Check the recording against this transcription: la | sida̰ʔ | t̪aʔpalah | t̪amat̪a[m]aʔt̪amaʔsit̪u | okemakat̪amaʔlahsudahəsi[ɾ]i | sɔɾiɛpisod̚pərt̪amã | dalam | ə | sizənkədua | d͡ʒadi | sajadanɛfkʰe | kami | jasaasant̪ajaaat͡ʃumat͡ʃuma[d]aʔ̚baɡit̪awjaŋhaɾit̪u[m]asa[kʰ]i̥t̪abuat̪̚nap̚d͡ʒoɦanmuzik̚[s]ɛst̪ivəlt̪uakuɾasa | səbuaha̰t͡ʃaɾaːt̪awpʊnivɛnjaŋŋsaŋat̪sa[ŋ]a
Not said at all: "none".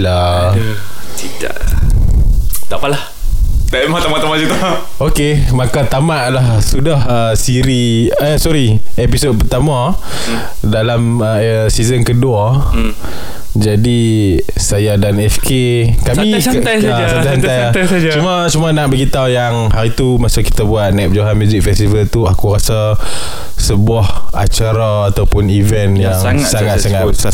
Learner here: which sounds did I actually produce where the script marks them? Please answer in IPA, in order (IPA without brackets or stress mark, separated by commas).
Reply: m, ɾ, n, m, k, f, ŋ